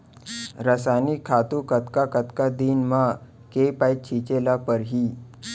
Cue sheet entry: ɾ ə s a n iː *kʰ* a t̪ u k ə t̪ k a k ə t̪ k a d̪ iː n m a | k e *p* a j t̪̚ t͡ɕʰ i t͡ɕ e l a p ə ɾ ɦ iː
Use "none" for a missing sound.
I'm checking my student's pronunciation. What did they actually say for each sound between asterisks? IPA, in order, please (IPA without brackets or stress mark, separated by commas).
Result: kʰ, p